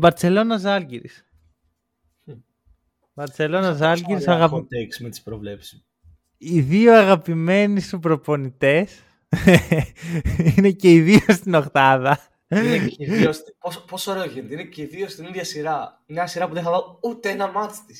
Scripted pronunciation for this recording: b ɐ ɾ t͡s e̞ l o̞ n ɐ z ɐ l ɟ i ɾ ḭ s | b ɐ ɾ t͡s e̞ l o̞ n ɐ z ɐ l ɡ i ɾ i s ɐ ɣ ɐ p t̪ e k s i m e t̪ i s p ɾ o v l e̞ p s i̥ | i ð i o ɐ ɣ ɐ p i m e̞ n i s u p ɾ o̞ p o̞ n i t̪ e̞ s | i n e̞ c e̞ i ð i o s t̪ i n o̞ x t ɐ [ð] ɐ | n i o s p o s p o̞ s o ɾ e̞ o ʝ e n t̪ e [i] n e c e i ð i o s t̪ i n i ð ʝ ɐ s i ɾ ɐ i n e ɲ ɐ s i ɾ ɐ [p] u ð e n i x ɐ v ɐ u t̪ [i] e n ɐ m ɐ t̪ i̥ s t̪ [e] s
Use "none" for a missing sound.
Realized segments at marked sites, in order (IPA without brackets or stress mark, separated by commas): ð, i, p, e, i